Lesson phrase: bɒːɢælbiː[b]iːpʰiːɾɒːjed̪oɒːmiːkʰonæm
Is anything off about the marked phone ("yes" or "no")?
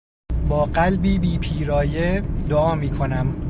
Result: no